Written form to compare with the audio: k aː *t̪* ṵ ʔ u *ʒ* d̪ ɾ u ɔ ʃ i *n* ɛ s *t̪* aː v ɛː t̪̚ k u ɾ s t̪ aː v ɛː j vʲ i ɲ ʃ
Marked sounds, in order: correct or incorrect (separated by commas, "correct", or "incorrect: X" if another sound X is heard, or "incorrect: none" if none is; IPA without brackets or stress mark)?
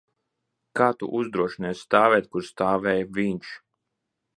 correct, incorrect: z, correct, correct